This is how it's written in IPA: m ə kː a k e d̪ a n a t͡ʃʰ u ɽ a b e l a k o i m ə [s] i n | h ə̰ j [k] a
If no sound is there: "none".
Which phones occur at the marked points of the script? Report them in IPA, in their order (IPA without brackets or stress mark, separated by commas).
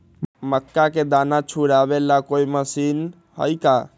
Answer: s, k